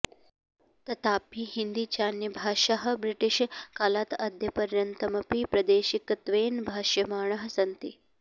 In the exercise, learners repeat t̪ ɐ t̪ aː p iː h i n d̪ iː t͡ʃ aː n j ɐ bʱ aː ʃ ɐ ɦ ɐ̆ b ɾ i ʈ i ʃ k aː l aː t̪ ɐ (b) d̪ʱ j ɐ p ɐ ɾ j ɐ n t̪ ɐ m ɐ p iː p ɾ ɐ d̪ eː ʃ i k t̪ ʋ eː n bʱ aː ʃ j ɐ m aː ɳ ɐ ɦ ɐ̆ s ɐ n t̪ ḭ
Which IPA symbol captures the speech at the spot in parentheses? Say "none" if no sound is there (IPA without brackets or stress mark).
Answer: none